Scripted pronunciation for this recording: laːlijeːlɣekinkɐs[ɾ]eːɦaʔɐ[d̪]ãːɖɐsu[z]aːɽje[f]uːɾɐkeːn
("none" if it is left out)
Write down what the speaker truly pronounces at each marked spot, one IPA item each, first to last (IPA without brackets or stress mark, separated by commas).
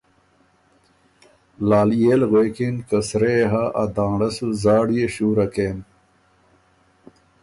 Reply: ɾ, d̪, z, ɕ